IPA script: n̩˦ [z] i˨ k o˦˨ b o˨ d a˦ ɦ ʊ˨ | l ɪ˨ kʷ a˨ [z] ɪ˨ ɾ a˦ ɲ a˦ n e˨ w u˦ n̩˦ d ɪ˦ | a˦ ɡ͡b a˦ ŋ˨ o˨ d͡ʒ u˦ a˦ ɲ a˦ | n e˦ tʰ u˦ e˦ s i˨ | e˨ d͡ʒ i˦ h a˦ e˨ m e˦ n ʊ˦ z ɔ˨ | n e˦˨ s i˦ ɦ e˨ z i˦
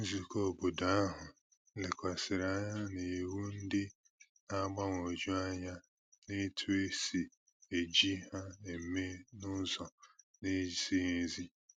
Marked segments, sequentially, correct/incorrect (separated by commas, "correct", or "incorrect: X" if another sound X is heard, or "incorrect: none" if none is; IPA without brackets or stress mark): correct, incorrect: s